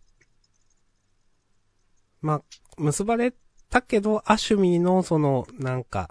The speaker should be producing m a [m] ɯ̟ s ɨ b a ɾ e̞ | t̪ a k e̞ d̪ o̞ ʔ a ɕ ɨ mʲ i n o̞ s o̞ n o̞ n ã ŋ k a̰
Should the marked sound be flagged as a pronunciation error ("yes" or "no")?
no